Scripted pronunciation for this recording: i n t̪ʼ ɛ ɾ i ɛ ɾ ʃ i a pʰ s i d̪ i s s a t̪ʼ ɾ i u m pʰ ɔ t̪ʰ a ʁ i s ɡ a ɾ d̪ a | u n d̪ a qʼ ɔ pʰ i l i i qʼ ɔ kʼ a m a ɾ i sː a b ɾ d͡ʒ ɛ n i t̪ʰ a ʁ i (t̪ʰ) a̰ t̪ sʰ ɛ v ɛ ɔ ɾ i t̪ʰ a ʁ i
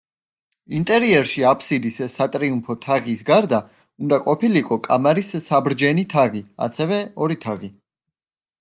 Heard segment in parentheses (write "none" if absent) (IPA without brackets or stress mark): none